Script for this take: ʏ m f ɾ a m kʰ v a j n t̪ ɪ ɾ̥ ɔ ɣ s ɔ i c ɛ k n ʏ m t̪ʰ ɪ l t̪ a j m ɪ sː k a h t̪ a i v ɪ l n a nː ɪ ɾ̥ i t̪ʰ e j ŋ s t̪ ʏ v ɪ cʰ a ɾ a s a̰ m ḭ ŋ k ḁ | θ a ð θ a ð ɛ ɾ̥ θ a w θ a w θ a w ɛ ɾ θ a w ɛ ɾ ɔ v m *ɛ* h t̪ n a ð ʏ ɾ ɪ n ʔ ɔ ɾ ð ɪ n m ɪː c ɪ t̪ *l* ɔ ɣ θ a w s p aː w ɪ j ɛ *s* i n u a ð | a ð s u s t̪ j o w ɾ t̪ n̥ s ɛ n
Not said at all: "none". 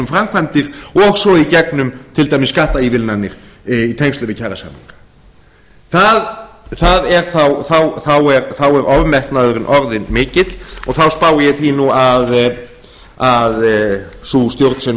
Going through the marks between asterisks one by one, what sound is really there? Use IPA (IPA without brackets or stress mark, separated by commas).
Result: ɛ, l, θ